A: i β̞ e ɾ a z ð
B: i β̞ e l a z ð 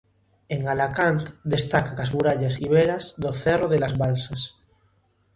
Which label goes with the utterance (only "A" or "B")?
A